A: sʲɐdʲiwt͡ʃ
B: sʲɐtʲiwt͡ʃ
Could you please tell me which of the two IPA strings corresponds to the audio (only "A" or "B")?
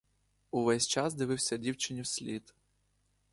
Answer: A